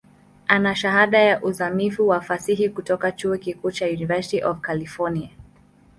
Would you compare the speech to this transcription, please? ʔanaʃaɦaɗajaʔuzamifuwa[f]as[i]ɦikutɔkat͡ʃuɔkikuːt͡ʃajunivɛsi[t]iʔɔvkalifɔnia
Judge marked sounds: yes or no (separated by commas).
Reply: yes, yes, yes